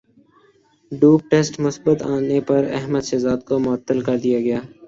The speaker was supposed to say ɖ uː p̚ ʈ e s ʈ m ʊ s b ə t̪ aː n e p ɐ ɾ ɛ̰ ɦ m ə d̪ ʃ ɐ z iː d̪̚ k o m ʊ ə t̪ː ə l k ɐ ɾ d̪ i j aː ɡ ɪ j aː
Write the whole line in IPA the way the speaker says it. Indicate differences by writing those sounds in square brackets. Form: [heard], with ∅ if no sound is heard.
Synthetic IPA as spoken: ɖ uː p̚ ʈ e s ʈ m ʊ s b ə t̪ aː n e p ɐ ɾ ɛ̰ ɦ m ə d̪ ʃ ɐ z [aː] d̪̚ k o m ʊ ə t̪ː ə l k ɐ ɾ d̪ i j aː ɡ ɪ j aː